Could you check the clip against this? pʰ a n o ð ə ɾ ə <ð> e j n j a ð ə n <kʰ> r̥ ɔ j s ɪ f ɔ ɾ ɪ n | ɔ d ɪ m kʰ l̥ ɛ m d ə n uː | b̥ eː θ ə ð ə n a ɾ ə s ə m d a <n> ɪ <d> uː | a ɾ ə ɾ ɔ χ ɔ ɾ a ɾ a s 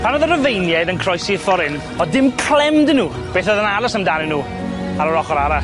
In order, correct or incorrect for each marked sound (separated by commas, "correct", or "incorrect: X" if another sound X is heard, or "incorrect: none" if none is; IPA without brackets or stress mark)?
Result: incorrect: v, correct, correct, incorrect: n